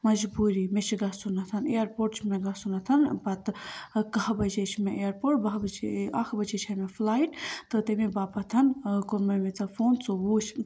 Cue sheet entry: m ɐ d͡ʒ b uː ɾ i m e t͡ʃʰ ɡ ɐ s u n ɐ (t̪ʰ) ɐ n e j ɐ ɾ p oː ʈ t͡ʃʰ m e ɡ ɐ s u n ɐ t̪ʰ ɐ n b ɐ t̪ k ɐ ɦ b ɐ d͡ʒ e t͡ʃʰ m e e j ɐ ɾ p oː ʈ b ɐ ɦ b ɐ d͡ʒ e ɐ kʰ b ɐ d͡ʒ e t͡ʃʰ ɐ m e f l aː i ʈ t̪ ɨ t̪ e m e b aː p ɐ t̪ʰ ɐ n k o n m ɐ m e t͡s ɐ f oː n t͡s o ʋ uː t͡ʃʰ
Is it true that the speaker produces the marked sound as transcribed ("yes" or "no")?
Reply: yes